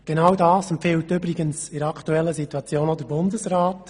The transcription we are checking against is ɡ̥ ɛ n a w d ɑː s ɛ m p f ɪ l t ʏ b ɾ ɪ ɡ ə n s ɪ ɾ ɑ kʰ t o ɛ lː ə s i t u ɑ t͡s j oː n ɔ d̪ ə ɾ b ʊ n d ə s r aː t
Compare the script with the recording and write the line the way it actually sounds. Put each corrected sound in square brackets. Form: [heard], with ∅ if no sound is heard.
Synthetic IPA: ɡ̥ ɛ n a w d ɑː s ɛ m p f ɪ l t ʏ b ɾ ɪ ɡ ə n s ɪ ɾ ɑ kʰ t [u] ɛ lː ə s i t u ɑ t͡s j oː n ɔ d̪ ə ɾ b ʊ n d ə s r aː t